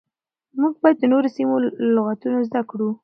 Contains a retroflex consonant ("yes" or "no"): yes